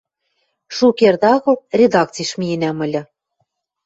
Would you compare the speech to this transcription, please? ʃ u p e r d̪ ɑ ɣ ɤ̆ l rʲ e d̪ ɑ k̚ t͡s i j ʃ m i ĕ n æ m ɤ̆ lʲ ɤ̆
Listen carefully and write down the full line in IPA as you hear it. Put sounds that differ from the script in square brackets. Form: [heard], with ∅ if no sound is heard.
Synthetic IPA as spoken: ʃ u [k] e r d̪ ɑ ɣ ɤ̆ l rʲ e d̪ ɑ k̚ t͡s i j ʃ m i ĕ n æ m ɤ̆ lʲ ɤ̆